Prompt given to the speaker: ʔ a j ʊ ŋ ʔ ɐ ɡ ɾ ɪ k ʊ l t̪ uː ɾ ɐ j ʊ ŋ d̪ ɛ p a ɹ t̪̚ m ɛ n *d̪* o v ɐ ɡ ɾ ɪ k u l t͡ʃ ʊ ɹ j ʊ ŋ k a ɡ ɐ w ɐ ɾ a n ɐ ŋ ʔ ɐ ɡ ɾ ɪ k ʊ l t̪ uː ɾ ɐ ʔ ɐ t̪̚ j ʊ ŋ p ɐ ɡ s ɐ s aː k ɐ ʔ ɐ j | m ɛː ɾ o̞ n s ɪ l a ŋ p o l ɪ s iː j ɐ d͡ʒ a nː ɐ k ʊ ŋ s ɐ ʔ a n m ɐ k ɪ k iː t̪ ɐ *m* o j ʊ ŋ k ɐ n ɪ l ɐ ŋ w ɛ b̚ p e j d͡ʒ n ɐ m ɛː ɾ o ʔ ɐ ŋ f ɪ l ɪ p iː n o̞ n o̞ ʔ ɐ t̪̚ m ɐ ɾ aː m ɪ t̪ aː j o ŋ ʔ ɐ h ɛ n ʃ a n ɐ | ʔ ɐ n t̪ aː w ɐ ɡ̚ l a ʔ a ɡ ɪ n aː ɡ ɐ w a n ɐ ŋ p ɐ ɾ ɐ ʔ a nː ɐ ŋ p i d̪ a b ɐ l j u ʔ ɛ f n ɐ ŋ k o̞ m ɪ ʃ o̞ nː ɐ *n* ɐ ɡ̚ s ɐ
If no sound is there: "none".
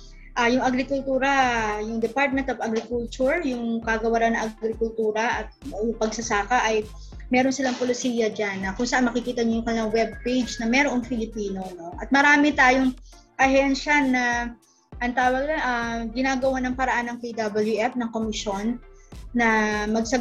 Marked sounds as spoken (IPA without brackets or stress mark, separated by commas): t̪, ɲ, m